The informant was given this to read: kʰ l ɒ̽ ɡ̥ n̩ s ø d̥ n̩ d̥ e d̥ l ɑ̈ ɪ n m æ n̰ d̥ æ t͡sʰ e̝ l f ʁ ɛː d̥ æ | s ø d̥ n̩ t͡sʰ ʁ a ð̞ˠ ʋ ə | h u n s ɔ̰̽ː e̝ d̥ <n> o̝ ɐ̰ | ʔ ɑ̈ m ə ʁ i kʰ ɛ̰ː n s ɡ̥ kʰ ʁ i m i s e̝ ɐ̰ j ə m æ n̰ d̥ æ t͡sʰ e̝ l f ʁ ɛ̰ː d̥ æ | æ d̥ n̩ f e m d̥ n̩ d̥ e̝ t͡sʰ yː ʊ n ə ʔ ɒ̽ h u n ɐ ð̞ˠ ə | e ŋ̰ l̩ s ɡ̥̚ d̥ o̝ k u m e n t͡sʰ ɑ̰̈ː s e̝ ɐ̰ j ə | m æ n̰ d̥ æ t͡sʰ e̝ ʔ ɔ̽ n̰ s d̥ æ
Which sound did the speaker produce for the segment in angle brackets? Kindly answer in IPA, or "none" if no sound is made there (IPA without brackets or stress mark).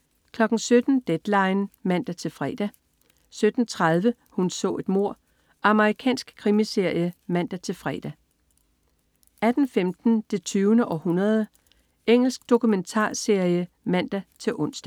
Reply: m